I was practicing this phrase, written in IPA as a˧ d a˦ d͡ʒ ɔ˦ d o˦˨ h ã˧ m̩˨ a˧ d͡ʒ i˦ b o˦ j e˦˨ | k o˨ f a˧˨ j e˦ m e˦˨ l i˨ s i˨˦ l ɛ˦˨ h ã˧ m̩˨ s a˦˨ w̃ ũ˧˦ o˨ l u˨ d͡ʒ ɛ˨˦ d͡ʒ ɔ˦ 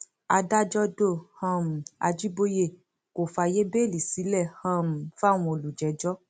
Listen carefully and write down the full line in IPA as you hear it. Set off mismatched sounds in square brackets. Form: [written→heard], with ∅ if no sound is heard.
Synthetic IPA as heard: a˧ d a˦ d͡ʒ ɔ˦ d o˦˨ h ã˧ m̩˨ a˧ d͡ʒ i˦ b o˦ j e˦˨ | k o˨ f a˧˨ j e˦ [m→b] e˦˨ l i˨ s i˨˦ l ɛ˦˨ h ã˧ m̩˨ [s→f] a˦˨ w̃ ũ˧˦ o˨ l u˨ d͡ʒ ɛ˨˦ d͡ʒ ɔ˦